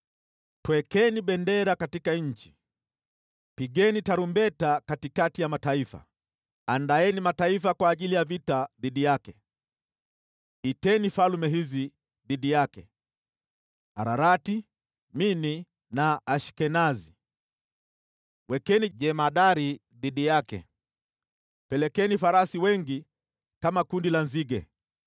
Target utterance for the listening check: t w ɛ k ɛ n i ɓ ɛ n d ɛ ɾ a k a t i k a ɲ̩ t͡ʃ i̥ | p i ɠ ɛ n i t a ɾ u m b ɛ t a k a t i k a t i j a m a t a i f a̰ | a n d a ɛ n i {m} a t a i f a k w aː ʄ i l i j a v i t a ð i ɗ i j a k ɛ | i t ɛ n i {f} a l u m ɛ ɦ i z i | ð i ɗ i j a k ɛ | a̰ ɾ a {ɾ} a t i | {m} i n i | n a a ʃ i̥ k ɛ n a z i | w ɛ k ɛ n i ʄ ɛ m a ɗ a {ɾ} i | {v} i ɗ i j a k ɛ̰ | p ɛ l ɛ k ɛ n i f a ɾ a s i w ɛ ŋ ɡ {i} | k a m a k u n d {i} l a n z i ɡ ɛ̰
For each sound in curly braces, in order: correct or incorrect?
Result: correct, correct, correct, correct, correct, incorrect: ð, correct, correct

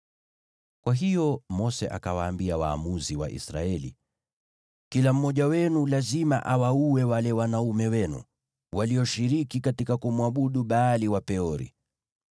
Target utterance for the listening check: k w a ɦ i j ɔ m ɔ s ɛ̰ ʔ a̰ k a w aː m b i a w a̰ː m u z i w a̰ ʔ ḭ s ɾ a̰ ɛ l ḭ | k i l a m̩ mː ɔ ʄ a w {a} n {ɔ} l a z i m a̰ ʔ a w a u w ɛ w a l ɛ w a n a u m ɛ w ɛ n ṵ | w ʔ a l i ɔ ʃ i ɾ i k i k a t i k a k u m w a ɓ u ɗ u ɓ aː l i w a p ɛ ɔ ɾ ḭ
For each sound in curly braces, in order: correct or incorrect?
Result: incorrect: ɛ, incorrect: u

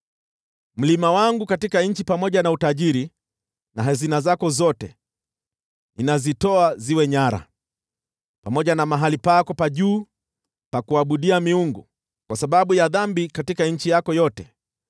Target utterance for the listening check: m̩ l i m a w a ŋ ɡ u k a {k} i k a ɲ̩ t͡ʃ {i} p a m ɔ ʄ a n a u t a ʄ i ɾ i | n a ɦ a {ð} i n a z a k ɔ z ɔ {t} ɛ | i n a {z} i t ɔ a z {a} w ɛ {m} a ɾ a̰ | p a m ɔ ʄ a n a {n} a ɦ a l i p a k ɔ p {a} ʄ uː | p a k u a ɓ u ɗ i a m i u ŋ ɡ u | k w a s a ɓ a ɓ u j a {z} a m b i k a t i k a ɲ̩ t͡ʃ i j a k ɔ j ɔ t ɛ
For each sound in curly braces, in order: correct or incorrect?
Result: incorrect: t, correct, incorrect: z, correct, correct, incorrect: i, incorrect: ɲ, incorrect: m, correct, incorrect: ð

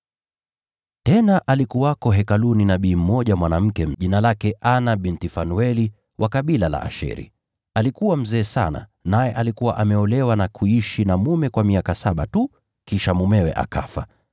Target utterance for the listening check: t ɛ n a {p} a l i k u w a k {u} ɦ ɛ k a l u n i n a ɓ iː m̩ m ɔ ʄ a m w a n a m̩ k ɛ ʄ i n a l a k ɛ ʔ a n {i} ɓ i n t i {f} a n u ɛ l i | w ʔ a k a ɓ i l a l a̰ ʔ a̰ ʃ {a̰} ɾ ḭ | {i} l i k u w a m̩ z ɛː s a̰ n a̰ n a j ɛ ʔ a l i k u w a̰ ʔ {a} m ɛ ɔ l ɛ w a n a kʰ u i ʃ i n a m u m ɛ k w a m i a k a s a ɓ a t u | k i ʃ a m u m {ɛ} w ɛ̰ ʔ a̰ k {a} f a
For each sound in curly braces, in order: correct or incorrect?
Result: incorrect: ʔ, incorrect: ɔ, incorrect: a, correct, incorrect: ɛ̰, incorrect: a, correct, correct, correct

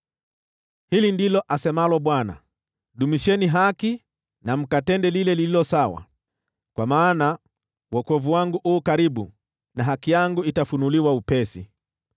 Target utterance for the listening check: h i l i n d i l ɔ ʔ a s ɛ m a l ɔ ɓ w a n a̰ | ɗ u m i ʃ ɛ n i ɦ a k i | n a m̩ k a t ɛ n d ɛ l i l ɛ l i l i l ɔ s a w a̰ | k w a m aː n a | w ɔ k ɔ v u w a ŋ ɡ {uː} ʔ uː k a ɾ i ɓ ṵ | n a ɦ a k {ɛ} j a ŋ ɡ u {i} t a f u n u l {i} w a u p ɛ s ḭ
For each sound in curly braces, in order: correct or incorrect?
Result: incorrect: u, incorrect: i, correct, correct

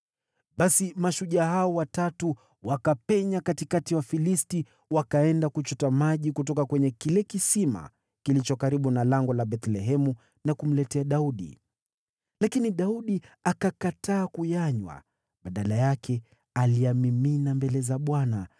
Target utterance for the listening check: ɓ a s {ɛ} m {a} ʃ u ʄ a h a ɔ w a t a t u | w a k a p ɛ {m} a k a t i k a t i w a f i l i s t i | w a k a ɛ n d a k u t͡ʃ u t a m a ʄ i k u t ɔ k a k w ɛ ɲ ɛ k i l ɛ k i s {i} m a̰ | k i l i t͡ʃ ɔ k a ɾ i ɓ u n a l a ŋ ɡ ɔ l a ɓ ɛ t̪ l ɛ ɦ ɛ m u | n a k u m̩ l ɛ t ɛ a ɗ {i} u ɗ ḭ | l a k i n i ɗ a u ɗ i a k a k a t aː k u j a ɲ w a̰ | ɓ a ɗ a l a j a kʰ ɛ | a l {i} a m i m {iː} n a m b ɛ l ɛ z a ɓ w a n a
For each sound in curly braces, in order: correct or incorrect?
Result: incorrect: i, correct, incorrect: ɲ, correct, incorrect: a, correct, incorrect: i

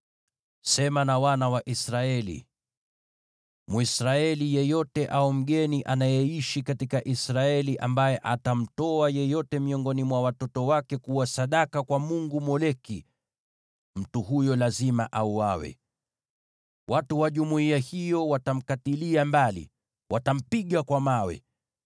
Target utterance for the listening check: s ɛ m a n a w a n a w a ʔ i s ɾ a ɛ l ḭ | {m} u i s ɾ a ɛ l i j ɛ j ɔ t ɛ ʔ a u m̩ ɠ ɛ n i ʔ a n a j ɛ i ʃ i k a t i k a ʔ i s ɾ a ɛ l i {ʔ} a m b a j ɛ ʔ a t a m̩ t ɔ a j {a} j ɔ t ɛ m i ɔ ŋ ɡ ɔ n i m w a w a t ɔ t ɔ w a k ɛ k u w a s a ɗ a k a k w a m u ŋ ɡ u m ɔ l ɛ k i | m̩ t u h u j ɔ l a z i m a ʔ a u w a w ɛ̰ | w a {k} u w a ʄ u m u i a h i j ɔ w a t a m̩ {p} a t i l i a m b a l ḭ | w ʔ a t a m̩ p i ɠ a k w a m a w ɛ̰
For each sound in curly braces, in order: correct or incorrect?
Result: correct, correct, incorrect: ɛ, incorrect: t, incorrect: k

